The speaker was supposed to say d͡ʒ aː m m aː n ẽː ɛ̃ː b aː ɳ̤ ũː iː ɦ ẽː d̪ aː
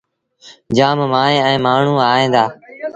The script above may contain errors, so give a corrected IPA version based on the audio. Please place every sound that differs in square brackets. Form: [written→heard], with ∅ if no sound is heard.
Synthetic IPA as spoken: d͡ʒ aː m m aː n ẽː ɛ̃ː [b→m] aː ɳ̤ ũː [iː→aː] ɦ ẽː d̪ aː